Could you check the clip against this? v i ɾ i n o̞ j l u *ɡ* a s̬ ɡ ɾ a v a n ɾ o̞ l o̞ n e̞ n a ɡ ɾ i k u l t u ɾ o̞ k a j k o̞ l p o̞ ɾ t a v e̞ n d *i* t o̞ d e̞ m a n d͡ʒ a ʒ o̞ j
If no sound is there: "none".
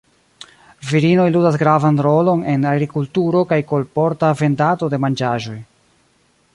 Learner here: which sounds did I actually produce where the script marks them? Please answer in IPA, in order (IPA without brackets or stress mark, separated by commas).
d, a